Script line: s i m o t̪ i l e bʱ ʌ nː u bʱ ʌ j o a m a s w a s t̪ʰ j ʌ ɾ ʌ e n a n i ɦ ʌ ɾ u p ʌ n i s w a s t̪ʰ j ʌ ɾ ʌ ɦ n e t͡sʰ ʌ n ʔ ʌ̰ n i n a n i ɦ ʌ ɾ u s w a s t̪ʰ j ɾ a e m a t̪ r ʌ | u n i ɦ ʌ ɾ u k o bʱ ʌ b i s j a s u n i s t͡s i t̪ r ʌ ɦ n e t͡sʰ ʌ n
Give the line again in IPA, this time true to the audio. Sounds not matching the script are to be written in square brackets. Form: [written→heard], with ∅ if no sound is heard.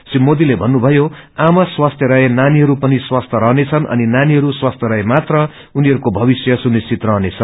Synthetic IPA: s i m o [t̪→d̪] i l e bʱ ʌ nː u bʱ ʌ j o a m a s w a s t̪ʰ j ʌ ɾ ʌ e n a n i ɦ ʌ ɾ u p ʌ n i s w a s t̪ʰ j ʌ ɾ ʌ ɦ n e t͡sʰ ʌ n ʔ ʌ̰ n i n a n i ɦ ʌ ɾ u s w a s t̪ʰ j ɾ [a→ʌ] e m a t̪ r ʌ | u n i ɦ ʌ ɾ u k o bʱ ʌ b i s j [a→ʌ] s u n i s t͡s i t̪ r ʌ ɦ n e t͡sʰ ʌ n